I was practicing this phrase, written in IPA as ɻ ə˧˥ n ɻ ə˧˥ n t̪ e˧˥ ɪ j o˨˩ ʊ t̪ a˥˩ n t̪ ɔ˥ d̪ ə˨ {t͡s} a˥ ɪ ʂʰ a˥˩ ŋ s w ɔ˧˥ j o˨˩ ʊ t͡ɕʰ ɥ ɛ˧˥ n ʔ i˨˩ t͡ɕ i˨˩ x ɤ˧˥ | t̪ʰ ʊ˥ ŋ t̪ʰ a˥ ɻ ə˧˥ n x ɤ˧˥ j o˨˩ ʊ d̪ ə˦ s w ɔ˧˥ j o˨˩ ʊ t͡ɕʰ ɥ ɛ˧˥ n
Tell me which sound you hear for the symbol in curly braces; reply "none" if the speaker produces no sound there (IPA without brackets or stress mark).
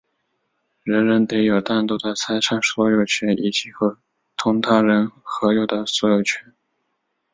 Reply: t͡sʰ